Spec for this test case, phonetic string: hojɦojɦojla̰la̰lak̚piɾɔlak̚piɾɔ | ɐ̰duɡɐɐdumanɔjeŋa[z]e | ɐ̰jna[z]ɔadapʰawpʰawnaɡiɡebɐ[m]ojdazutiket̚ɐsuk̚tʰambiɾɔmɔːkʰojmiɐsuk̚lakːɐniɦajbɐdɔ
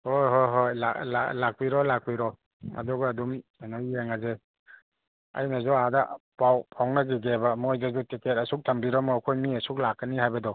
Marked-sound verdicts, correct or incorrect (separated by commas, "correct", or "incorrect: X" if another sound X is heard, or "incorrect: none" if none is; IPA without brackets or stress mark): correct, correct, correct